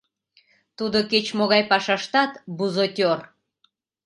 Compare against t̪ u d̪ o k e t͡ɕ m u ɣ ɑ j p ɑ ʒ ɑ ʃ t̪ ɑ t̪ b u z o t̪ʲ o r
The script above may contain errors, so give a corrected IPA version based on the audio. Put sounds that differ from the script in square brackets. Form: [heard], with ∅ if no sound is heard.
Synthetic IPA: t̪ u d̪ o k e t͡ɕ m [o] ɣ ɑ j p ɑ [ʃ] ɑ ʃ t̪ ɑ t̪ b u z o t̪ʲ o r